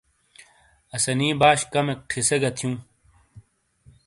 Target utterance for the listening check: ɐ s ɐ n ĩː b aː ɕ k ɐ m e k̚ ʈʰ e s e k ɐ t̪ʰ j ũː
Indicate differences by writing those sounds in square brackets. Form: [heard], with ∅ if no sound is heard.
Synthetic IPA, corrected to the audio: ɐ s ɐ n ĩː b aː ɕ k ɐ m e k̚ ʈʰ [i] s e [ɡ] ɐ t̪ʰ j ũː